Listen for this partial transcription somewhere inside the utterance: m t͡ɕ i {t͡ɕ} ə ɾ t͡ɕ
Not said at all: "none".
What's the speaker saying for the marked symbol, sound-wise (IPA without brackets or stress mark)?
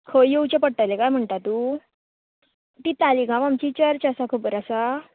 t͡ɕ